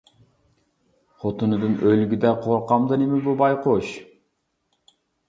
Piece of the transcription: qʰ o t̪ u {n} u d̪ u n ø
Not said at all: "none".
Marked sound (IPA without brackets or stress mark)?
n